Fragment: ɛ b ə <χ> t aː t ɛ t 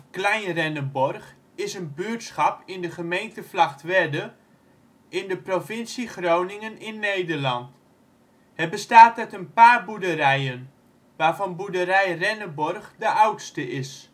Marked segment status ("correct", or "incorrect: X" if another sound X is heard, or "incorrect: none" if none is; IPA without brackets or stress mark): incorrect: s